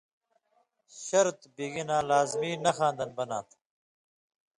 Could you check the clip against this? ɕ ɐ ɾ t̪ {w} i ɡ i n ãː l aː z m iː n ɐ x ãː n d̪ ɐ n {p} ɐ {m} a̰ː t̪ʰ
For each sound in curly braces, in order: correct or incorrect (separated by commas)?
incorrect, incorrect, incorrect